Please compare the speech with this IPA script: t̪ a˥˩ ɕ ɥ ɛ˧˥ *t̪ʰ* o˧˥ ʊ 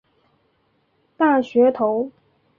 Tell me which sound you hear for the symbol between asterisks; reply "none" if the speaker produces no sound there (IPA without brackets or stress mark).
t̪ʰ